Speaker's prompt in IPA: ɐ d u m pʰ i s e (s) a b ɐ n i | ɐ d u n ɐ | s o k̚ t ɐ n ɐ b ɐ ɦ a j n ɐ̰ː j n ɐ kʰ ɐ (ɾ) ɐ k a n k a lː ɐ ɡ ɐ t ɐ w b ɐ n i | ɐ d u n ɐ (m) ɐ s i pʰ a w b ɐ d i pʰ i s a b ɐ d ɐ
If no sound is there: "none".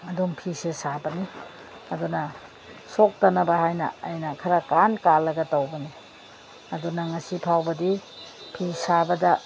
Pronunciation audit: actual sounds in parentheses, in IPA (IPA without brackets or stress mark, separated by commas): s, ɾ, ŋ